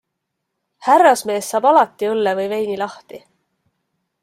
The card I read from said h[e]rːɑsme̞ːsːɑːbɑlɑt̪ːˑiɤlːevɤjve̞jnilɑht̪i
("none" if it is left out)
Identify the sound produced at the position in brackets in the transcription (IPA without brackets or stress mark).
æ